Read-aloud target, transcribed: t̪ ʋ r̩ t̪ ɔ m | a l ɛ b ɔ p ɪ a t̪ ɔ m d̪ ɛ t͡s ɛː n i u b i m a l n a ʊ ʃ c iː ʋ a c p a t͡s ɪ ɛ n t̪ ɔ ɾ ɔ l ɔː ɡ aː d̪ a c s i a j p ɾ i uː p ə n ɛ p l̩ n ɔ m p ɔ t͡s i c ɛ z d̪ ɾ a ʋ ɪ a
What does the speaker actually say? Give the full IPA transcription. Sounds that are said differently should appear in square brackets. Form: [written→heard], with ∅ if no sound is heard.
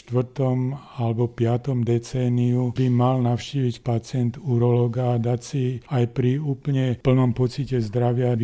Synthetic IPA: t̪ ʋ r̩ t̪ ɔ m | a l ɛ b ɔ p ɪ a t̪ ɔ m d̪ ɛ t͡s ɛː n i u b i m a l n a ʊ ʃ c iː ʋ [a→i] c p a t͡s ɪ ɛ n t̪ [ɔ→u] ɾ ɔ l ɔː ɡ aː d̪ a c s i a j p ɾ i uː p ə [n→ɲ] ɛ p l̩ n ɔ m p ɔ t͡s i c ɛ z d̪ ɾ a ʋ ɪ a